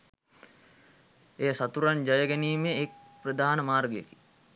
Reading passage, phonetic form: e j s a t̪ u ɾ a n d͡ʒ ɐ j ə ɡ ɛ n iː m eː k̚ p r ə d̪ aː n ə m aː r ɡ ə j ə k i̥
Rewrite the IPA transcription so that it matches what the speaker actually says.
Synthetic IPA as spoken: e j s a t̪ u ɾ a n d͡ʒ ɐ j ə ɡ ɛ n iː m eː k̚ p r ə d̪ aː n ə m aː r ɡ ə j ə k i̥

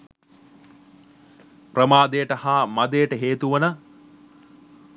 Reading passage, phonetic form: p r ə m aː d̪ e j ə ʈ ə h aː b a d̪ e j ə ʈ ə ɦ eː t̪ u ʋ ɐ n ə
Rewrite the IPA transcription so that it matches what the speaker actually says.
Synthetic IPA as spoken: p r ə m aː d̪ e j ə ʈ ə h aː m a d̪ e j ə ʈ ə ɦ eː t̪ u ʋ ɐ n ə

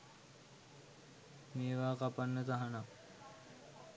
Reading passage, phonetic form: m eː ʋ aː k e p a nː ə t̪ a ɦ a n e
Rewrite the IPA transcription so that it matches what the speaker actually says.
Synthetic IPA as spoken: m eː ʋ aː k a p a nː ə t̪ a ɦ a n a

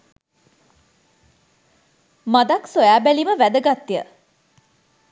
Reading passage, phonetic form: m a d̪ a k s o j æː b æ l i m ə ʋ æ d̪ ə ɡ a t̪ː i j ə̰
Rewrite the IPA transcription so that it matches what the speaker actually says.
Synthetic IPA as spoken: m a d̪ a k s o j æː b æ l i m ə ʋ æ d̪ ə ɡ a t̪ː i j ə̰

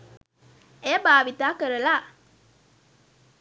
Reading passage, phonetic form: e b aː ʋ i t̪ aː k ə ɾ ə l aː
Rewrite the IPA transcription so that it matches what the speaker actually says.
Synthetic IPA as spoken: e b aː ʋ i t̪ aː k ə ɾ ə l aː

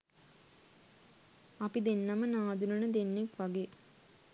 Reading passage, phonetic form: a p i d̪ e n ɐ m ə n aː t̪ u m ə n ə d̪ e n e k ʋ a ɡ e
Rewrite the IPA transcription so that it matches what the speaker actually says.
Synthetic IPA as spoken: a p i d̪ e nː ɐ m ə n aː d̪ u n ə n ə d̪ e nː e k ʋ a ɡ e

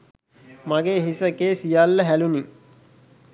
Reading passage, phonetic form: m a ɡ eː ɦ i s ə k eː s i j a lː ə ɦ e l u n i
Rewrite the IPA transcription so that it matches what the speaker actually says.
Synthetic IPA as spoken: m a ɡ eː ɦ i s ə k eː s i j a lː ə ɦ æ l u n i

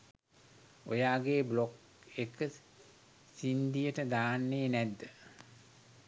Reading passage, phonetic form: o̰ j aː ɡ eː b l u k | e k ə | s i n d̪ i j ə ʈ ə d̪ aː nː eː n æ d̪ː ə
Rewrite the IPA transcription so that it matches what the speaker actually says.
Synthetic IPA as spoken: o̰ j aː ɡ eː b l o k | e k ə | s i n d̪ i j ə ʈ ə d̪ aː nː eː n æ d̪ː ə

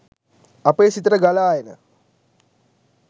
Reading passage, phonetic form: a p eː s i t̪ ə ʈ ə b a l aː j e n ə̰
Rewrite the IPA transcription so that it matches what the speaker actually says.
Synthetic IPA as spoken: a p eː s i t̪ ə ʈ ə ɡ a l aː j e n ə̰

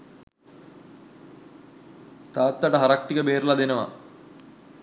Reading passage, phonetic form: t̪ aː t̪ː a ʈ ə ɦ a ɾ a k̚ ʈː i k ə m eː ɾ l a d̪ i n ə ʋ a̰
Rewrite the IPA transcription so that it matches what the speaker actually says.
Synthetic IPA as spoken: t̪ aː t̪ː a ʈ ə ɦ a ɾ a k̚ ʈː i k ə b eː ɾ l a d̪ e n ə ʋ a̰

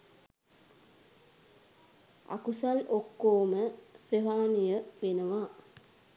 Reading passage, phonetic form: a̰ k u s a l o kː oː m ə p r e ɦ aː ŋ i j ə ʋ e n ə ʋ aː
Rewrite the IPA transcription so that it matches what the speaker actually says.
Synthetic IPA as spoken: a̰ k u s a l o kː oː m ə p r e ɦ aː n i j ə ʋ e n ə ʋ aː

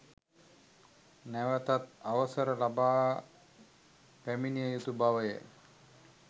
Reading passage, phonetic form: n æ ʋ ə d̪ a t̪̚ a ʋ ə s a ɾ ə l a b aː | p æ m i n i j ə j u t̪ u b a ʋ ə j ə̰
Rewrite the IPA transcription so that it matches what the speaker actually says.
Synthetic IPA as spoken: n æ ʋ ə t̪ a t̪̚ a ʋ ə s ə ɾ ə l a b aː | p æ m i n i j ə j u t̪ u b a ʋ ə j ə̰

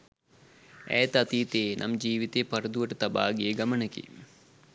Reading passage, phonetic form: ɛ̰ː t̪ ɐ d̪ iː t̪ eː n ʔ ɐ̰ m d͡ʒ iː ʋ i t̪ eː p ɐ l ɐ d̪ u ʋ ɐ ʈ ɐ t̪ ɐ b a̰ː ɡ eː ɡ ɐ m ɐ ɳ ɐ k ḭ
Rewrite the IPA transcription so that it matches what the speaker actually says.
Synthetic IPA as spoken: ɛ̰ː t̪ ɐ t̪ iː t̪ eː n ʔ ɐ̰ m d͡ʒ iː ʋ i t̪ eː p ɐ ɾ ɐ d̪ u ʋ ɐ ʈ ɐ t̪ ɐ b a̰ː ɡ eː ɡ ɐ m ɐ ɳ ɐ k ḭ

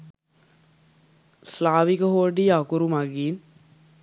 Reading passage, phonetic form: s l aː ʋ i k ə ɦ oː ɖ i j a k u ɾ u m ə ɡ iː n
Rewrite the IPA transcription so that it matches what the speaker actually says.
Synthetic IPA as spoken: s l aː ʋ i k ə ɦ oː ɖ i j a k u ɾ u m a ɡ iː n

